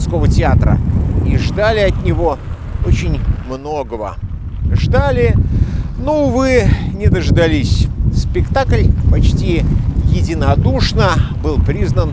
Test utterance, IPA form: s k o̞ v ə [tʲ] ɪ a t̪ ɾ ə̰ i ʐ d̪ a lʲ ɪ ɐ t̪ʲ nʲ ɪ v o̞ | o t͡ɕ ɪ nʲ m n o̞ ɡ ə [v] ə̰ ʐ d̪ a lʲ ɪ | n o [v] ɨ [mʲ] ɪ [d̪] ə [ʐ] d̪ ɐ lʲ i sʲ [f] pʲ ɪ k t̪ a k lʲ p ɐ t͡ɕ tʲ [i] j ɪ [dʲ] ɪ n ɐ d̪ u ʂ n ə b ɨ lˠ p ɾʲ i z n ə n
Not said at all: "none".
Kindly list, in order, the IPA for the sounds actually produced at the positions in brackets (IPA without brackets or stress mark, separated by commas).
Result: tʲ, v, v, nʲ, d̪, ʐ, s, i, dʲ